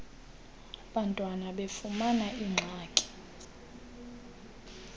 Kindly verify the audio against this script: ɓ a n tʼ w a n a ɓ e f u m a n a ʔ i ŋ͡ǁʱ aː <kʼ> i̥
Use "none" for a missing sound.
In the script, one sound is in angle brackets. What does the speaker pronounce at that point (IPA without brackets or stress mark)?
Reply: kʼ